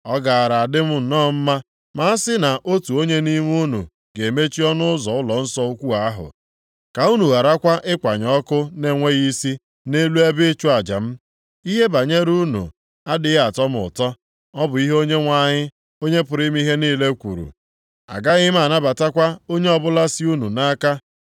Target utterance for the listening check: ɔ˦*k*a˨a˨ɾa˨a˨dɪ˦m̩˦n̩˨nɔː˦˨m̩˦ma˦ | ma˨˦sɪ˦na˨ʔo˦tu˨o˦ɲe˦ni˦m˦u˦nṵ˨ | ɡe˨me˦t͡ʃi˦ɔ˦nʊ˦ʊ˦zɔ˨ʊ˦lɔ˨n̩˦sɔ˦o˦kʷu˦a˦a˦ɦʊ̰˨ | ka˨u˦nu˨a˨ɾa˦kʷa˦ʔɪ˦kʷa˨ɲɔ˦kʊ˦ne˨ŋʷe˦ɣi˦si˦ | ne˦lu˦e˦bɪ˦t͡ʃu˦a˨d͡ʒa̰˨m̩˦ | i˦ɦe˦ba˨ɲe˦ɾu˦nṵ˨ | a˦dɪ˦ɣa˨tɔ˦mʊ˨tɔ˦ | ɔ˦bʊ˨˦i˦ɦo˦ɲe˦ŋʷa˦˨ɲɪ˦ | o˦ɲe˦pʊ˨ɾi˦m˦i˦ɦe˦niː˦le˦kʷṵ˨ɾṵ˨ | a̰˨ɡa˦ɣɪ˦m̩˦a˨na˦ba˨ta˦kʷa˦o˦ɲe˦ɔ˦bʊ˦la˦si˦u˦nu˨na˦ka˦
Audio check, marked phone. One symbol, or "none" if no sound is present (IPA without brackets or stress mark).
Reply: ɡ